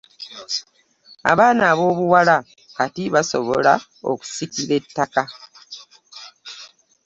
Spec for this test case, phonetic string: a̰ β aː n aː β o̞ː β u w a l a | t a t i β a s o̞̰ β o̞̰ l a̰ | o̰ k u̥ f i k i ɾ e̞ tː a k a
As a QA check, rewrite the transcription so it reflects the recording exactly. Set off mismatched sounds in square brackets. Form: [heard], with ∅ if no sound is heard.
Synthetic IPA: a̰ β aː n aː β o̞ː β u w a l a | [k] a t i β a s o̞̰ β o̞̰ l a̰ | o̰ k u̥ [s] i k i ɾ e̞ tː a k a